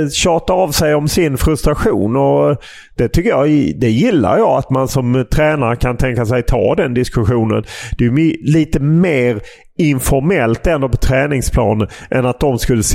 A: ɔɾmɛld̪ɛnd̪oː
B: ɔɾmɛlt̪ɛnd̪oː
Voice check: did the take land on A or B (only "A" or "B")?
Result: B